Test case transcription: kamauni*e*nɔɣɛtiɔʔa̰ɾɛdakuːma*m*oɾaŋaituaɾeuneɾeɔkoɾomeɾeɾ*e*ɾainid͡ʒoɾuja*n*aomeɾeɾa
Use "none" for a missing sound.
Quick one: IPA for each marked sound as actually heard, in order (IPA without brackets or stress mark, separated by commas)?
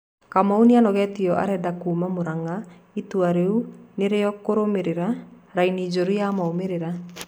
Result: a, m, a, m